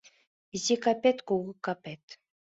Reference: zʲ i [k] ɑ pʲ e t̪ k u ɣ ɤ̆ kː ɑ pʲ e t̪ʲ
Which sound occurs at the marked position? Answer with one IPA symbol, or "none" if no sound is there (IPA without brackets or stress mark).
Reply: k